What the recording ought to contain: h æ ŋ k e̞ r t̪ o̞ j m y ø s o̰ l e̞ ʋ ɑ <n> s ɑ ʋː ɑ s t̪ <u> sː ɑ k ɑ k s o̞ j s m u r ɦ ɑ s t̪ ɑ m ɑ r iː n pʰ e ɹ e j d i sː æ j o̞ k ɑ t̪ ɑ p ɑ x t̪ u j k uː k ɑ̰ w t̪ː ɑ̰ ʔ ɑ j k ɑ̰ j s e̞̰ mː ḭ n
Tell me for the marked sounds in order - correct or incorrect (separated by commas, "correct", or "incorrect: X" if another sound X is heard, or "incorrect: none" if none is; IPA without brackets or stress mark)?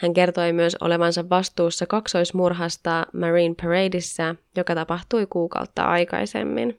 correct, incorrect: uː